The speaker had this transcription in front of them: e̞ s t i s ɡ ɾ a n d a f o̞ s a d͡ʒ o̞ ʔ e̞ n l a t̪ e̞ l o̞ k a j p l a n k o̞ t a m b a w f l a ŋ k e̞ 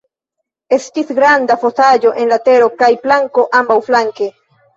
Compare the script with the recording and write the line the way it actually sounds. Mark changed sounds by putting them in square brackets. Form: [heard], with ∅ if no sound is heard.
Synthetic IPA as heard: e̞ s t i s ɡ ɾ a n d a f o̞ s a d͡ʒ o̞ ʔ e̞ n l a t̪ e̞ [ɾ] o̞ k a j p l a [ŋ] k o̞ [ʔ] a m b a w f l a ŋ k e̞